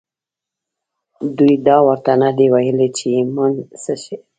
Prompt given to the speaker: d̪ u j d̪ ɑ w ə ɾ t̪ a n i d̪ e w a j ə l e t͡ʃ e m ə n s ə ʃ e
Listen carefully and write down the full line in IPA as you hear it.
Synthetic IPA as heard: d̪ u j d̪ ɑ w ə ɾ t̪ a n a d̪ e w a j ə l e t͡ʃ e m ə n s ə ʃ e